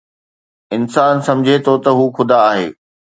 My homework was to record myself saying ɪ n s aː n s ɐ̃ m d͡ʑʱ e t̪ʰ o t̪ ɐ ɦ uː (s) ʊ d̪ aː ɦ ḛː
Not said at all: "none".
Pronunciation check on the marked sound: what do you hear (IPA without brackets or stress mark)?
x